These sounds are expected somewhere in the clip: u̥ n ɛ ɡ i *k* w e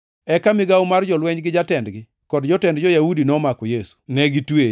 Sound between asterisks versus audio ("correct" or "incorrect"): incorrect